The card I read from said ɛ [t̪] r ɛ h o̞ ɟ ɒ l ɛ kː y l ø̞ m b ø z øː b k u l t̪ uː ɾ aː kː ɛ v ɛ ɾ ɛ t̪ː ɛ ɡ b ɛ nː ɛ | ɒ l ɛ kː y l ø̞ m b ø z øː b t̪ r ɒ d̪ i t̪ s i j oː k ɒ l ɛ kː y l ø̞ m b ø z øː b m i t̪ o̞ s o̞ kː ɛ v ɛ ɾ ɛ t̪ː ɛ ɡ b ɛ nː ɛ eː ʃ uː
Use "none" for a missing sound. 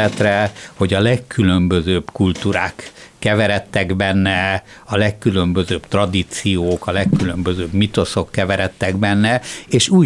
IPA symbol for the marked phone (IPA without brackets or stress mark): t̪